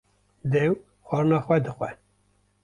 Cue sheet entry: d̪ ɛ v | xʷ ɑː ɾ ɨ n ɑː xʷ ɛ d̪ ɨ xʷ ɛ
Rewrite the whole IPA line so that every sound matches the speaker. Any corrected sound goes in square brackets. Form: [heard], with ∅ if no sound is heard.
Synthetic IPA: d̪ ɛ [w] | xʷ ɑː ɾ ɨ n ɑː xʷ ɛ d̪ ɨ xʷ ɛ

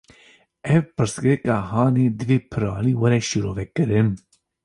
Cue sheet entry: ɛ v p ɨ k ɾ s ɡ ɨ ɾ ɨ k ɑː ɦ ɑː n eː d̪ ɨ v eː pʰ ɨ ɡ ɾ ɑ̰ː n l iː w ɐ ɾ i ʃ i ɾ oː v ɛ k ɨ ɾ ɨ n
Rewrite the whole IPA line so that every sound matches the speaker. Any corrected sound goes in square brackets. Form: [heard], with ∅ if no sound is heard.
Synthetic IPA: ɛ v p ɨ [∅] ɾ s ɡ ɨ ɾ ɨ k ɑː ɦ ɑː n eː d̪ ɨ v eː pʰ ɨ [∅] ɾ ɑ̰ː [∅] l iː w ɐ ɾ [ɛ] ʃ i ɾ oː v ɛ k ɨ ɾ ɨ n

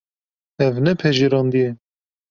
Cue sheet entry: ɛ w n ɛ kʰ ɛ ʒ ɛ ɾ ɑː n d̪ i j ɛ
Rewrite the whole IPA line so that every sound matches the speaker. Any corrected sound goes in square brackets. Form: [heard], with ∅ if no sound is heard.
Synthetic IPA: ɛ [v] n ɛ [pʰ] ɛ ʒ [i] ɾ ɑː n d̪ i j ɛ

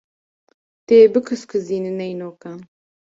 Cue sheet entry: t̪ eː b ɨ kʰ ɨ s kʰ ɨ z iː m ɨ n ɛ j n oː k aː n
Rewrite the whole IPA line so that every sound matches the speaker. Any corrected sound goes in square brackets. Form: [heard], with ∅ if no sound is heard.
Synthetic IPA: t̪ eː b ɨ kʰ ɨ s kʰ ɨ z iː [n] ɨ n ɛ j n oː k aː n

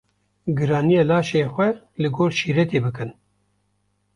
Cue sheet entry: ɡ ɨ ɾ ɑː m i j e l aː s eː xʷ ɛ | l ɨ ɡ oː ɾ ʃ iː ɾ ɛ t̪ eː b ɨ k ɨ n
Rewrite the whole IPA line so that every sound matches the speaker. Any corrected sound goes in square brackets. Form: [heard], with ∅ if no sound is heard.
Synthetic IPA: ɡ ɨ ɾ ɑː [n] i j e l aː [ʃ] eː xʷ ɛ | l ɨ ɡ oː ɾ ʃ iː ɾ ɛ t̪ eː b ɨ k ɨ n

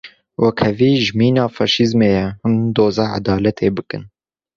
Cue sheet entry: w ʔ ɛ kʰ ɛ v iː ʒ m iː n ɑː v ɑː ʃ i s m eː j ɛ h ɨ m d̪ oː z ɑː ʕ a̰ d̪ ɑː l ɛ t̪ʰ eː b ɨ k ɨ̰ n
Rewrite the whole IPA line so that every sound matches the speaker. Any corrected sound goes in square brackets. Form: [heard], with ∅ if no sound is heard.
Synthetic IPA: w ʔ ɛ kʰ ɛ v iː ʒ m iː n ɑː [f] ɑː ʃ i [z] m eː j ɛ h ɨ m d̪ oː z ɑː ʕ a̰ d̪ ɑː l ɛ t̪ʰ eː b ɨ k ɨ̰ n

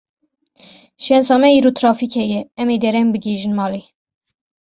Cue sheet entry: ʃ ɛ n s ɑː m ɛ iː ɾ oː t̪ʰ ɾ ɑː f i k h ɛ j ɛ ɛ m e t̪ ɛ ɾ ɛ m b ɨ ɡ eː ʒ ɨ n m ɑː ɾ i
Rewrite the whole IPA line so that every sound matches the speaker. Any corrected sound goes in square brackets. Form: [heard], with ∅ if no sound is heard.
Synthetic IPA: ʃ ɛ n s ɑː m ɛ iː ɾ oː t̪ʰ ɾ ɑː f i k h ɛ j ɛ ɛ m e [d̪] ɛ ɾ ɛ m b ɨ ɡ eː ʒ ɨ n m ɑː [l] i

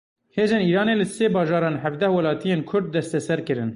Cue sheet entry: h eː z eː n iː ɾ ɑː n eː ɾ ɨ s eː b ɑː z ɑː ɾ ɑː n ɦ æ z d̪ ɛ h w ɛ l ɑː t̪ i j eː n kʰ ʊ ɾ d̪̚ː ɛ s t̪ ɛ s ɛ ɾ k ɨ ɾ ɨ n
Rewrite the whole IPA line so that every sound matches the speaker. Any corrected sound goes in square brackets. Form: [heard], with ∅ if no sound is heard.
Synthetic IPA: h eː z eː n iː ɾ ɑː n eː [l] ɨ s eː b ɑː [ʒ] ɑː ɾ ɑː n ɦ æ [v] d̪ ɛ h w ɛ l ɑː t̪ i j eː n kʰ ʊ ɾ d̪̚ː ɛ s t̪ ɛ s ɛ ɾ k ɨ ɾ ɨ n

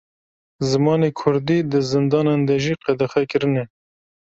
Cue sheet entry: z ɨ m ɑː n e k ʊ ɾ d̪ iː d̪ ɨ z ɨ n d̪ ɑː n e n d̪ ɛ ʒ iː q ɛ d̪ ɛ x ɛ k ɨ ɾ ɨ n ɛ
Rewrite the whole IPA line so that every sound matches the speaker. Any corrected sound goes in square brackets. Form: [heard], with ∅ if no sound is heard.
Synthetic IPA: z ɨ m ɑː n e [kʰ] ʊ ɾ d̪ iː d̪ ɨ z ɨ n d̪ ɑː n e n d̪ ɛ ʒ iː q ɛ d̪ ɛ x ɛ k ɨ ɾ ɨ n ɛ

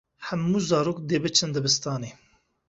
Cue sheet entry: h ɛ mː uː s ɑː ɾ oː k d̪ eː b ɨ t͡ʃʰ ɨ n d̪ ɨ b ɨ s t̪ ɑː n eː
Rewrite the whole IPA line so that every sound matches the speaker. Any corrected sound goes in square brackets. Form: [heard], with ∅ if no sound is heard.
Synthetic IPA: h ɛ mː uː [z] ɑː ɾ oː k d̪ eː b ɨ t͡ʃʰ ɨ n d̪ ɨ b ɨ s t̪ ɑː n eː

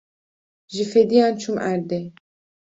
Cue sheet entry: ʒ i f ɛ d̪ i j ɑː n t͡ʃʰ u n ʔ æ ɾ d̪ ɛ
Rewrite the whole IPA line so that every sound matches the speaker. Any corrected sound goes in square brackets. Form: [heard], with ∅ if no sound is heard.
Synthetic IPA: ʒ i f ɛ d̪ i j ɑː n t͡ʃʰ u [m] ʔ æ ɾ d̪ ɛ

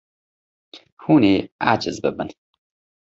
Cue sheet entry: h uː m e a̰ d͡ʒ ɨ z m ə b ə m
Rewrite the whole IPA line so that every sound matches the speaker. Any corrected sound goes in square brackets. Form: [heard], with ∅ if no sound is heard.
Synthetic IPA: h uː [n] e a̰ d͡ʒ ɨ z [b] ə b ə [n]

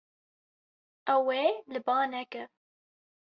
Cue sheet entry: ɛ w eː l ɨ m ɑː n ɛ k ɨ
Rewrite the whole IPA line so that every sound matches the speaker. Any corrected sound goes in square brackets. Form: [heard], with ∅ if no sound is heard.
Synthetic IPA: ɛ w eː l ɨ [b] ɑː n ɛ k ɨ

